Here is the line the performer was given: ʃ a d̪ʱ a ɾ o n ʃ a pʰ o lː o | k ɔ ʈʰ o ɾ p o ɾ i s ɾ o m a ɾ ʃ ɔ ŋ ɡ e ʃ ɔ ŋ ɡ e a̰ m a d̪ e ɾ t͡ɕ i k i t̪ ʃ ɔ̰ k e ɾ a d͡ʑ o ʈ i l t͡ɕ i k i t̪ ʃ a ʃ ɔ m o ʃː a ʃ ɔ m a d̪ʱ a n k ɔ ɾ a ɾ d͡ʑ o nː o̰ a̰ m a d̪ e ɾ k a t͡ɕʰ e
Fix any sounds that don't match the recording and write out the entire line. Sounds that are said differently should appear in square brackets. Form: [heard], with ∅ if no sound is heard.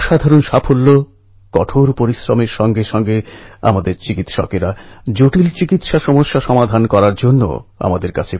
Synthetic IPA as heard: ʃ a d̪ʱ a ɾ o n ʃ a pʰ o lː o | k ɔ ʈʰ o ɾ p o ɾ i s ɾ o m [e] ɾ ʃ ɔ ŋ ɡ e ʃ ɔ ŋ ɡ e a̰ m a d̪ e ɾ t͡ɕ i k i t̪ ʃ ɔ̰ k e ɾ a d͡ʑ o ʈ i l t͡ɕ i k i t̪ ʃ a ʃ ɔ m o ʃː a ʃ ɔ m a d̪ʱ a n k ɔ ɾ a ɾ d͡ʑ o nː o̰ a̰ m a d̪ e ɾ k a t͡ɕʰ e